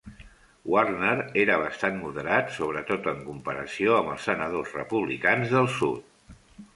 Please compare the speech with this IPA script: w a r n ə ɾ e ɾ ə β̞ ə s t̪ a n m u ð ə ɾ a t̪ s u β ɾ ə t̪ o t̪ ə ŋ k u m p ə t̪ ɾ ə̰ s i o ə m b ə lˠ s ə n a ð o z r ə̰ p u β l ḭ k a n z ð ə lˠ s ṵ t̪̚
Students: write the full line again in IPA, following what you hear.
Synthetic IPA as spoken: w a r n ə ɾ e ɾ ə β̞ ə s t̪ a n m u ð ə ɾ a t̪ s o β ɾ ə t̪ o t̪ ə ŋ k u m p ə ɾ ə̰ s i o ə m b ə lˠ s ə n ə ð o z r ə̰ p u β l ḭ k a n z ð ə lˠ s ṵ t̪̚